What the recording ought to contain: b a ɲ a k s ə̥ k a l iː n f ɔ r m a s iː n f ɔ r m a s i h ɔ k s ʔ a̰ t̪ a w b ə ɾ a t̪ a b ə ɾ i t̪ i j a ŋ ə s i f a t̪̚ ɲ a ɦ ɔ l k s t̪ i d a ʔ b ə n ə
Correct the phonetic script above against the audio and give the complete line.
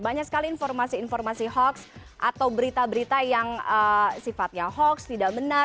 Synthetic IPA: b a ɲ a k s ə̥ k a l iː n f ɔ r m a s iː n f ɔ r m a s i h ɔ k s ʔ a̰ t̪ a w b ə ɾ i t̪ a b ə ɾ i t̪ a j a ŋ ə s i f a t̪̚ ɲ a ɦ ɔ k s t̪ i d a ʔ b ə n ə